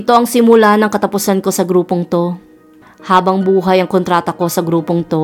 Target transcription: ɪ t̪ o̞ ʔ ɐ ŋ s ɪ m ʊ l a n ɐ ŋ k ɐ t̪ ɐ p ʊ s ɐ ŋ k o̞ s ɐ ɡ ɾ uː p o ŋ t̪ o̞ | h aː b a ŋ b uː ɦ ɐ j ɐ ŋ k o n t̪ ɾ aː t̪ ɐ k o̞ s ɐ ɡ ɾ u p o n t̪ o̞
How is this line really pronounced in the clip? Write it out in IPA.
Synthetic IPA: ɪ t̪ o̞ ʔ ɐ ŋ s ɪ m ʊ l a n ɐ ŋ k ɐ t̪ ɐ p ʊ s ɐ n k o̞ s ɐ ɡ ɾ uː p o ŋ t̪ o̞ | h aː b ɐ ŋ b uː ɦ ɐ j ɐ ŋ k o n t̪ ɾ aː t̪ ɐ k o̞ s ɐ ɡ ɾ uː p o ŋ t̪ o̞